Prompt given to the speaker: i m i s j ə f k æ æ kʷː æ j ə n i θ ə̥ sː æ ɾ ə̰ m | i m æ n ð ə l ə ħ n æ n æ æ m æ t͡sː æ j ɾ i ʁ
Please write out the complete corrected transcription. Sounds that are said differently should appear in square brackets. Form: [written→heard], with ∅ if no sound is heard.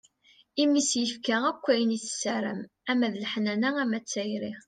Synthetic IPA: i m i s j ə f k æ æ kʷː æ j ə n i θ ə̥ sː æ ɾ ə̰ m | [i→æ] m æ [n→∅] ð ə l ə ħ n æ n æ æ m æ t͡sː æ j ɾ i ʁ